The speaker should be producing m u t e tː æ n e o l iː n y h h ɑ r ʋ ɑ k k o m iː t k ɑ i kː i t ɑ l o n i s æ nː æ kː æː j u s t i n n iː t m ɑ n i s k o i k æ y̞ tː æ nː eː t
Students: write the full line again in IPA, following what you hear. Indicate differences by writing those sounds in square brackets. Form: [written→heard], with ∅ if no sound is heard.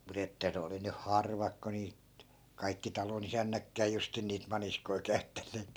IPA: m u t e tː æ n e o l [iː→i] n y h h ɑ r ʋ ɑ k k o [m→n] iː t k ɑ i kː i t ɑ l o n i s æ nː æ kː æː j u s t i n n iː t m ɑ n i s k o i k æ y̞ tː æ nː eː t